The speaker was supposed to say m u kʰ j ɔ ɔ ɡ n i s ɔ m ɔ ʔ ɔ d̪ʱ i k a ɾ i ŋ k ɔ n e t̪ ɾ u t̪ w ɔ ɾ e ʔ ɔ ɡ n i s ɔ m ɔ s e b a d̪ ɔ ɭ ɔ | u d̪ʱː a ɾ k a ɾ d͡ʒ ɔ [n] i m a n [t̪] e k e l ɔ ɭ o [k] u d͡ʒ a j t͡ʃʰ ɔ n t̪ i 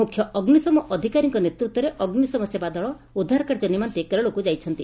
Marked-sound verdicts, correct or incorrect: correct, correct, correct

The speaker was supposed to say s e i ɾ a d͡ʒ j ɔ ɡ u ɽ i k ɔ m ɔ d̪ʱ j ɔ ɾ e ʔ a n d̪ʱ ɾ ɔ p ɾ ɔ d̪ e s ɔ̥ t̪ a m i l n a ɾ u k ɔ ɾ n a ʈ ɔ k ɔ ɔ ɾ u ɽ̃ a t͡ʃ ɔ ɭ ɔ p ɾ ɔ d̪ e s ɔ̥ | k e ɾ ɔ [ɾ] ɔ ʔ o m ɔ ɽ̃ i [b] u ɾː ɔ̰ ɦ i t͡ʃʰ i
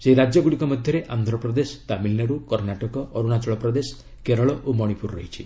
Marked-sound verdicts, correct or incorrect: incorrect, incorrect

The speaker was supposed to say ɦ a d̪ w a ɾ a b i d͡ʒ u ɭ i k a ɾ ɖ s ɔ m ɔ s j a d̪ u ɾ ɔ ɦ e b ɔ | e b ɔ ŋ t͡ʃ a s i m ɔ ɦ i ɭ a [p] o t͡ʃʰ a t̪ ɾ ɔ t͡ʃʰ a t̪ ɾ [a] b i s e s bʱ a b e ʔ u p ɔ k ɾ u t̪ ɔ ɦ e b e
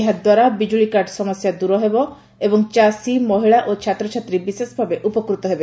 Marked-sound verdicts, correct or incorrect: incorrect, incorrect

